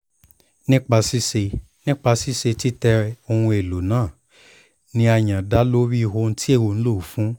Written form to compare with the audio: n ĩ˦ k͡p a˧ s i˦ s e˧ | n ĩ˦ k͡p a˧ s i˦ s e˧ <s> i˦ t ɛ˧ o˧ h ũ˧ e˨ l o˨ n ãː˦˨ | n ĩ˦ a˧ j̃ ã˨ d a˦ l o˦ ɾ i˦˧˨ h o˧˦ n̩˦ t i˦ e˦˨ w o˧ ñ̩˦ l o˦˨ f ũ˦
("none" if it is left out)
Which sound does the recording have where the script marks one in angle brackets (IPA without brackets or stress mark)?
t